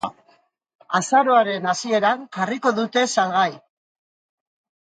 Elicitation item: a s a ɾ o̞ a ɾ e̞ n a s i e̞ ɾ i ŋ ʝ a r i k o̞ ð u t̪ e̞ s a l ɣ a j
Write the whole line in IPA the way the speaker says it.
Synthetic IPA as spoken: a s a ɾ o̞ a ɾ e̞ n a s i e̞ ɾ a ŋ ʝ a r i k o̞ ð u t̪ e̞ s a l ɣ a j